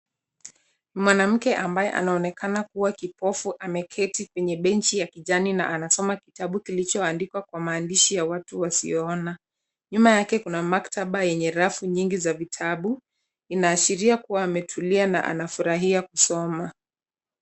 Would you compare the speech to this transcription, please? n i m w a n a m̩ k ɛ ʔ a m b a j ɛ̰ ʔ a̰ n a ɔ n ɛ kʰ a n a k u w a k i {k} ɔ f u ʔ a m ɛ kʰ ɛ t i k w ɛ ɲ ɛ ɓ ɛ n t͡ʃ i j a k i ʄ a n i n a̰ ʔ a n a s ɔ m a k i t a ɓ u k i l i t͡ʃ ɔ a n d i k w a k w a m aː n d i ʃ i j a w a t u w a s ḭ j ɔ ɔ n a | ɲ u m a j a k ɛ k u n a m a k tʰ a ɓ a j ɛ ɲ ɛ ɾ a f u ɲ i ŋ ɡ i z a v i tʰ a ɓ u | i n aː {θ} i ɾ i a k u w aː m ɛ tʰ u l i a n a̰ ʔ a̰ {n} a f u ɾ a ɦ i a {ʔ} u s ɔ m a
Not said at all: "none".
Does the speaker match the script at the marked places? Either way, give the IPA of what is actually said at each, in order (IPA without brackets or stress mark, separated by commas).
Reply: p, ʃ, n, k